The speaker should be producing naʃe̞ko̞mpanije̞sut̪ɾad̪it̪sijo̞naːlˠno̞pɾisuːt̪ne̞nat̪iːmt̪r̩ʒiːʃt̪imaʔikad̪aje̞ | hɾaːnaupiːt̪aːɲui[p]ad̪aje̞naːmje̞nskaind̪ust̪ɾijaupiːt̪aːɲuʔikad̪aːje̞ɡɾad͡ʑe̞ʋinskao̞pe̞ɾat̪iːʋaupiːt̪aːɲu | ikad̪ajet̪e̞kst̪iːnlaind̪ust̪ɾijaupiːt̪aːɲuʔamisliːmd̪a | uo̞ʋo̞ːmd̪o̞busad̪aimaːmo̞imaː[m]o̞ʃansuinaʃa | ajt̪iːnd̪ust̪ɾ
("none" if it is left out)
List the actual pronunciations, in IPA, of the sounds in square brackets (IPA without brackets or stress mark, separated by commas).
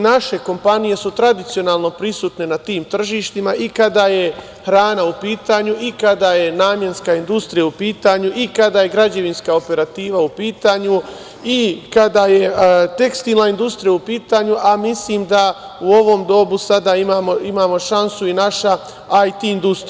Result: k, m